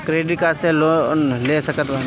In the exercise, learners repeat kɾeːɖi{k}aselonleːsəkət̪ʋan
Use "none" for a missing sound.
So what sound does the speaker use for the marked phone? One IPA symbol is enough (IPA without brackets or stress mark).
k